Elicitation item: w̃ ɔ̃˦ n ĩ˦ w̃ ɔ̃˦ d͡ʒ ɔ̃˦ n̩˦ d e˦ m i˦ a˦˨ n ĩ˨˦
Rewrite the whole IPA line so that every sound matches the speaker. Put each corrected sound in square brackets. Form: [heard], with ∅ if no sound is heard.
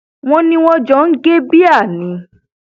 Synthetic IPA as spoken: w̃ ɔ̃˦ n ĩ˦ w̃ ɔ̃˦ d͡ʒ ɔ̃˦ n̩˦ [ɡ] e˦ [b] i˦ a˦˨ n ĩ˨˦